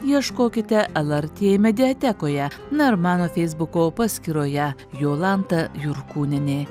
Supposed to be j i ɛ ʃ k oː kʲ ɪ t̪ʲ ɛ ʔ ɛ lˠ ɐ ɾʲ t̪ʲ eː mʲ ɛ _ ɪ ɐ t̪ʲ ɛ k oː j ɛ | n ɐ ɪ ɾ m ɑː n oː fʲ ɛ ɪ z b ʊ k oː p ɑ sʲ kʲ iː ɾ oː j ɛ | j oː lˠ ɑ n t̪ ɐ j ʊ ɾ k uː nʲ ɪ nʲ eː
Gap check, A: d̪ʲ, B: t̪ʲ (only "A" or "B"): A